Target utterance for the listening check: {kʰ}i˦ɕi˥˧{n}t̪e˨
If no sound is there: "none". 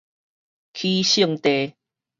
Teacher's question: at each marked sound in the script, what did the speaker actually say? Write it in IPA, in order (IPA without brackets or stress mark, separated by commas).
kʰ, ŋ